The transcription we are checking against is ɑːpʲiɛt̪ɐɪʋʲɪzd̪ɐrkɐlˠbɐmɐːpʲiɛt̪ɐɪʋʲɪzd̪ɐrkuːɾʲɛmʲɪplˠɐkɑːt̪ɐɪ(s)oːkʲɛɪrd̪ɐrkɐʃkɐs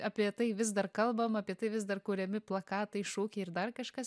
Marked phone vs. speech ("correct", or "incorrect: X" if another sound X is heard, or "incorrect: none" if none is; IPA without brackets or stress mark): incorrect: ʃ